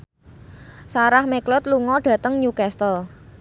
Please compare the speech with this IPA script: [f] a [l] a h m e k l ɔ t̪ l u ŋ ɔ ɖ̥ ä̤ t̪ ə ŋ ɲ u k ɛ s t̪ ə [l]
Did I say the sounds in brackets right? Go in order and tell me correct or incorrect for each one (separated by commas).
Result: incorrect, incorrect, correct